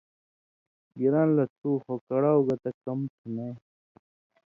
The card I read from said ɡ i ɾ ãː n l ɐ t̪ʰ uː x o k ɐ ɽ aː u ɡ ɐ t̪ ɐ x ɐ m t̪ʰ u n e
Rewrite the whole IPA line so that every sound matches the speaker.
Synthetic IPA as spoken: ɡ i ɾ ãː n l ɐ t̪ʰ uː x o k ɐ ɽ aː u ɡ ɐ t̪ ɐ k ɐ m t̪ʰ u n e